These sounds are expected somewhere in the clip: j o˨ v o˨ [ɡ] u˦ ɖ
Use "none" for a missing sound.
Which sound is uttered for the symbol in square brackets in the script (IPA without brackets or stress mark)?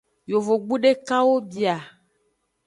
ɡ͡b